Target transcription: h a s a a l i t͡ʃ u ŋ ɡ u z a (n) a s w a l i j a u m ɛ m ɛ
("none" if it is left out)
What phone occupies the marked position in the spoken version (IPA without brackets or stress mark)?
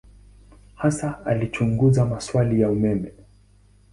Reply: m